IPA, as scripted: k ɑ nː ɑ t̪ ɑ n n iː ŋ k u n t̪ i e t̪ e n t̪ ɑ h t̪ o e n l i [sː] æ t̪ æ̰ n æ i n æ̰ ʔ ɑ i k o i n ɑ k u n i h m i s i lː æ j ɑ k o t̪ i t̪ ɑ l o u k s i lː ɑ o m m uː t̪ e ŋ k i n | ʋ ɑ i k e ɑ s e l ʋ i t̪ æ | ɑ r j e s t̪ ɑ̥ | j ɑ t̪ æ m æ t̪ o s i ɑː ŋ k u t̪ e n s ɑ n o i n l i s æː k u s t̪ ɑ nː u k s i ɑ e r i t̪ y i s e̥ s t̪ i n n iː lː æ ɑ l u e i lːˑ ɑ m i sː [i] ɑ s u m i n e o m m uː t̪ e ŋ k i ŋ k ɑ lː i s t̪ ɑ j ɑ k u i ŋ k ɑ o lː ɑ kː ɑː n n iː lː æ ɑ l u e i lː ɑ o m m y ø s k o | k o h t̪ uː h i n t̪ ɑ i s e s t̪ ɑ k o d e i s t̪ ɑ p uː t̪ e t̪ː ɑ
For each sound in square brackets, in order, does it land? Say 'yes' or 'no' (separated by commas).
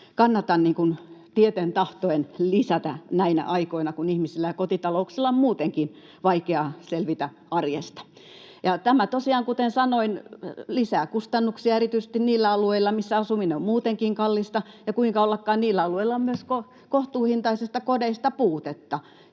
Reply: no, no